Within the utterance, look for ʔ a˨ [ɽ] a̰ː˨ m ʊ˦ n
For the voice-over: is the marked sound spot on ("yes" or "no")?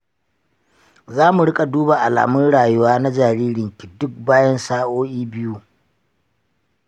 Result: no